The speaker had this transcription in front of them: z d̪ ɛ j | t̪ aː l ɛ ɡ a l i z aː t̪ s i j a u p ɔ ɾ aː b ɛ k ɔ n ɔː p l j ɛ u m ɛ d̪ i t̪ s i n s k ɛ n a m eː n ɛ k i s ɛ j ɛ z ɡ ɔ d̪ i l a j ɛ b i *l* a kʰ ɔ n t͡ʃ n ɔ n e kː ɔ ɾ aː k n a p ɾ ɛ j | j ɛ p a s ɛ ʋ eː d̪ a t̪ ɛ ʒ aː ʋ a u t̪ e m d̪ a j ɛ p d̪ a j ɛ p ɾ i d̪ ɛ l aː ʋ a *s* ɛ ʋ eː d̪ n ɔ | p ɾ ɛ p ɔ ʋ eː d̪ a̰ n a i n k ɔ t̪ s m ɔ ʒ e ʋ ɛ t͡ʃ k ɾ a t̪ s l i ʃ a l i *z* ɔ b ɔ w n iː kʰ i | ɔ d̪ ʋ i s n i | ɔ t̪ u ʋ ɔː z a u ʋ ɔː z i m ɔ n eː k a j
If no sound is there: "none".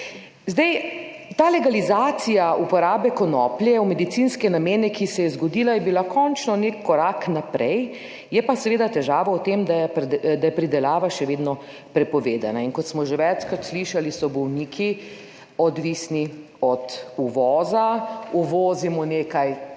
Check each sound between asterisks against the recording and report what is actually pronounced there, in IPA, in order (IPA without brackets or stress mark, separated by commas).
l, ʃ, s